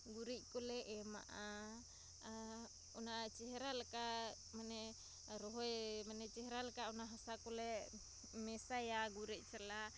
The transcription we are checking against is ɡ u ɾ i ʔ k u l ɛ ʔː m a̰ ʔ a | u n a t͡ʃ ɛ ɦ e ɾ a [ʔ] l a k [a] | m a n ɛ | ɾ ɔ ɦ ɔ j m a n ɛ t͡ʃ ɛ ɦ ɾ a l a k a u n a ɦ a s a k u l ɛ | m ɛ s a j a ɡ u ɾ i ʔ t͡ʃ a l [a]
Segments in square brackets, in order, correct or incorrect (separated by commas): incorrect, correct, correct